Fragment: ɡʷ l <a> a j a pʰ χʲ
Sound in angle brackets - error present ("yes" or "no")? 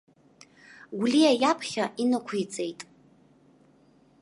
yes